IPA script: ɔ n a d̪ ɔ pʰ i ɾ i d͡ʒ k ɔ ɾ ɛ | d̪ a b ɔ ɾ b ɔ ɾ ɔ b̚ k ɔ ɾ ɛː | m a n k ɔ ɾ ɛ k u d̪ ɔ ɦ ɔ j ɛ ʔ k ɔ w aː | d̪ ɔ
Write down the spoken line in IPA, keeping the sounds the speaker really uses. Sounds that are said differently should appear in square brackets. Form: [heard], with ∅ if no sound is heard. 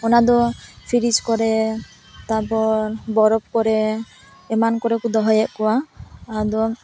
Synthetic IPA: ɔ n a d̪ ɔ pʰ i ɾ i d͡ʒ k ɔ ɾ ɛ | [t̪] a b ɔ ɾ b ɔ ɾ ɔ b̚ k ɔ ɾ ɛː | m a n k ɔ ɾ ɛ k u d̪ ɔ ɦ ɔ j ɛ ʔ k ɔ w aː | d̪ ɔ